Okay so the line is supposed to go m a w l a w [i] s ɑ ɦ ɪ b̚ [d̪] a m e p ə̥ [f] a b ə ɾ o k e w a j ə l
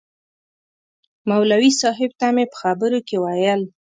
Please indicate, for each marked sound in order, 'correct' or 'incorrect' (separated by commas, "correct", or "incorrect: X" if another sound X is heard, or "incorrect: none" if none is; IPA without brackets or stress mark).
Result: correct, incorrect: t̪, incorrect: x